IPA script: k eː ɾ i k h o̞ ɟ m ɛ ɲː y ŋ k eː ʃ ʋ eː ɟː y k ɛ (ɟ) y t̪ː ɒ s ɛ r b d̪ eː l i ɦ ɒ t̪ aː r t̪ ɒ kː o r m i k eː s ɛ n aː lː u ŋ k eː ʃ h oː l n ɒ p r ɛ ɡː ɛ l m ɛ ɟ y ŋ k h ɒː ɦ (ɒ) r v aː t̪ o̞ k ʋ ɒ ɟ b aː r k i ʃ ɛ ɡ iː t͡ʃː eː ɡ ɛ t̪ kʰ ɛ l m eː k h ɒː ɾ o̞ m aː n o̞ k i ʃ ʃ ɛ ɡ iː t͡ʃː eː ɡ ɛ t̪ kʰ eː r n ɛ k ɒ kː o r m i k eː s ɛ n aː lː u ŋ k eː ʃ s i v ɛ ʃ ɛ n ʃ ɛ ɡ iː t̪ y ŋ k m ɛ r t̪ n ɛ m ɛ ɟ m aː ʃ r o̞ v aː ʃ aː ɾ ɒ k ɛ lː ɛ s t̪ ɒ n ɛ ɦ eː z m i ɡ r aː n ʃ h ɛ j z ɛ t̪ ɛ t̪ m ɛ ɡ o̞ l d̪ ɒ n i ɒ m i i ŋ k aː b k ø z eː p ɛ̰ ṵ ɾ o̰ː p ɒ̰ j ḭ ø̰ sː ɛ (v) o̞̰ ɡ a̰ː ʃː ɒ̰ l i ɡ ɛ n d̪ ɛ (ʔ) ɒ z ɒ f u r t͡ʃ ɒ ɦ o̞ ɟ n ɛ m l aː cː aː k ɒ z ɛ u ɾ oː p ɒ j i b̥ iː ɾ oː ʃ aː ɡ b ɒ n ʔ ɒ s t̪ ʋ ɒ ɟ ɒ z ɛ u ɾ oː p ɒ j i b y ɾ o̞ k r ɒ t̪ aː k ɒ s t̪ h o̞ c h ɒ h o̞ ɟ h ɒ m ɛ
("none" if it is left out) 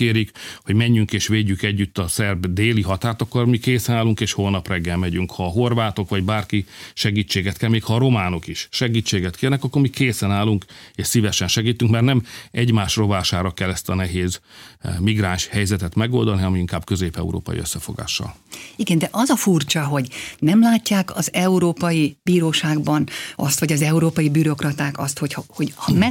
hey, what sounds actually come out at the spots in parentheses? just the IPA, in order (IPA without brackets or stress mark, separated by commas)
ɟː, o, f, ʔ